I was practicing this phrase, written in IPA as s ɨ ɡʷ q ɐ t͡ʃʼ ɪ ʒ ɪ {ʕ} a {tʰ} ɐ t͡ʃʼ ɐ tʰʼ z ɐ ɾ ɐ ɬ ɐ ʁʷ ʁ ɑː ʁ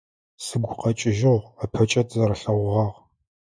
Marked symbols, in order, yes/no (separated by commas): no, no